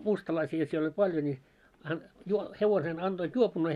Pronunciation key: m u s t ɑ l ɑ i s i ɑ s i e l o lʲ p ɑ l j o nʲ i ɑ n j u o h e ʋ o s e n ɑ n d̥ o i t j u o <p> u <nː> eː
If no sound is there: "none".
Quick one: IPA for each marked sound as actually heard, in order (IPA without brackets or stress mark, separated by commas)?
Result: p, nː